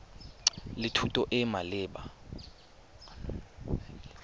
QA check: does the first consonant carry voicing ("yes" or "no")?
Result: yes